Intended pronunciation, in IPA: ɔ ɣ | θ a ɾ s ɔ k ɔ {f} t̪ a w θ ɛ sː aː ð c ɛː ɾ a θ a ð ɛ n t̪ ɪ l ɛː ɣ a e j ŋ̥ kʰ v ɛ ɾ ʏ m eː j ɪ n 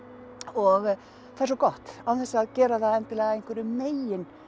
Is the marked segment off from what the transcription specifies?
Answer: yes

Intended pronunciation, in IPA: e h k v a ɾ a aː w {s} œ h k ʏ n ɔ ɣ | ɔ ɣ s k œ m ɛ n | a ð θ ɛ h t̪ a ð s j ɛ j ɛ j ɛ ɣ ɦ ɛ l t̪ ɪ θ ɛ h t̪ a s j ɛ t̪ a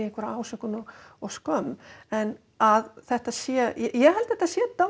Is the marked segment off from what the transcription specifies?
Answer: no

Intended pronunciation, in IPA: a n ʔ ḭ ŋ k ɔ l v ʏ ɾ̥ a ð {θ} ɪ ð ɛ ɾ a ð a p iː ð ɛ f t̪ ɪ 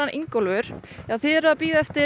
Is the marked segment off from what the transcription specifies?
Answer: no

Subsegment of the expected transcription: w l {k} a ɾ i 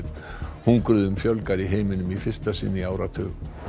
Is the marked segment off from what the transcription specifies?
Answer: no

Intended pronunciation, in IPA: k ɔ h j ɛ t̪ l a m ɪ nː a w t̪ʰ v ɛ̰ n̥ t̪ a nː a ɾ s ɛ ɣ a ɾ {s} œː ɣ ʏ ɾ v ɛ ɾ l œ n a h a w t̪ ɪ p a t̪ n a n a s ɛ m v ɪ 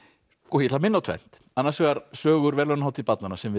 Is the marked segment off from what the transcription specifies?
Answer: no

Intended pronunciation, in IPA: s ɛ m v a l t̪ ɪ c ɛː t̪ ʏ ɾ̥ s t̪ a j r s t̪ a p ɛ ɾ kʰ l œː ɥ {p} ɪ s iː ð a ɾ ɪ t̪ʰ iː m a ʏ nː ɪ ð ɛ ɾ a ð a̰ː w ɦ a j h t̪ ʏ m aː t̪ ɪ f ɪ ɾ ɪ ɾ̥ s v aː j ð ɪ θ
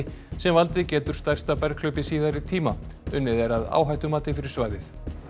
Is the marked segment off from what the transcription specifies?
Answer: no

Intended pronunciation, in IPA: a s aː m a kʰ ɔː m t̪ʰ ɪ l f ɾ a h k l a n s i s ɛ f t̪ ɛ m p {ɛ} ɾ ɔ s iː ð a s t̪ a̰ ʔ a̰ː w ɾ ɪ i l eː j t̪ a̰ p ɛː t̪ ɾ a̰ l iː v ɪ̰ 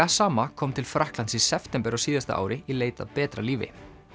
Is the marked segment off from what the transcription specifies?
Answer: no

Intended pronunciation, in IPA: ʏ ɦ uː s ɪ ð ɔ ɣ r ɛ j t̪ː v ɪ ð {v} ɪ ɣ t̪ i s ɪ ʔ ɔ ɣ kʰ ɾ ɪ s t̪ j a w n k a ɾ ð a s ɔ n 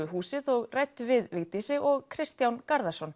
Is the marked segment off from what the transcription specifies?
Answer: no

